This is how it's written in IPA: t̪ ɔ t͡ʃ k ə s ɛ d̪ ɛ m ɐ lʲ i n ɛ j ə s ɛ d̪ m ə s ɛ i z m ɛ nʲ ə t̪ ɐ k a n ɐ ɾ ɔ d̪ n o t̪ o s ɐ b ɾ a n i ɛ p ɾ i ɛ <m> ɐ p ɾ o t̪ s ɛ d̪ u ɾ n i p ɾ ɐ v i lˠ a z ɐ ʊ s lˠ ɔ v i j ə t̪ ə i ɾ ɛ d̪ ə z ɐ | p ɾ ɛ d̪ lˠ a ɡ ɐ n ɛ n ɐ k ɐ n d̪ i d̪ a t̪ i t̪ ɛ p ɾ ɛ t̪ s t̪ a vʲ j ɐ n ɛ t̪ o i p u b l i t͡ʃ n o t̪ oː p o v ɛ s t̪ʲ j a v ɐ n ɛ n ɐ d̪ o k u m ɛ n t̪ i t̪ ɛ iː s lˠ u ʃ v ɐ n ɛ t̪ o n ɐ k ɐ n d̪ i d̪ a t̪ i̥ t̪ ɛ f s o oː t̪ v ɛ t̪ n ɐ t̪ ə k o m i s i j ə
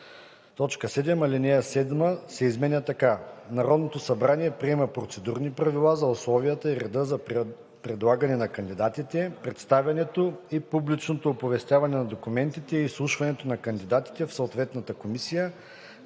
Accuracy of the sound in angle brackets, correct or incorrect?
correct